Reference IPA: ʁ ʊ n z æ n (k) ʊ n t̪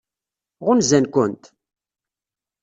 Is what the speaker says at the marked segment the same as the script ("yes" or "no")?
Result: yes